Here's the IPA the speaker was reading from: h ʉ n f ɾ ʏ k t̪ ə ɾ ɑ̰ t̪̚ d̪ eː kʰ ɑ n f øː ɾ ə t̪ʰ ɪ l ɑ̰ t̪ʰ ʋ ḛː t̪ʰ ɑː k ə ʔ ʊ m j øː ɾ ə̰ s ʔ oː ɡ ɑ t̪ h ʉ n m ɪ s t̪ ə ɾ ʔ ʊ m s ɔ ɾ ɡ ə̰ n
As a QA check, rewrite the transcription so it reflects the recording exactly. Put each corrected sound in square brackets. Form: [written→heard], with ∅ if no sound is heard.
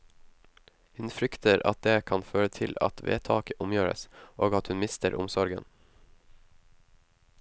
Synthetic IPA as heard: h ʉ n f ɾ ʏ k t̪ ə ɾ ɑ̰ t̪̚ d̪ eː kʰ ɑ n f øː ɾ ə t̪ʰ ɪ l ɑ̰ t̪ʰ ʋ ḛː t̪ʰ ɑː k ə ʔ ʊ m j øː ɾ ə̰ s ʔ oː ɡ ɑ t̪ h ʉ n m ɪ s t̪ ə ɾ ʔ ʊ m s ɔ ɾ ɡ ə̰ n